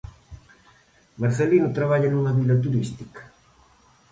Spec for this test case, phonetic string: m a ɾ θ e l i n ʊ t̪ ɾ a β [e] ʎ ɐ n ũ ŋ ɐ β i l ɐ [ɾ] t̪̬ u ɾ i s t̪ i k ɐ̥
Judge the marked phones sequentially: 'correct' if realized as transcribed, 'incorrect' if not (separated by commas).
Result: incorrect, incorrect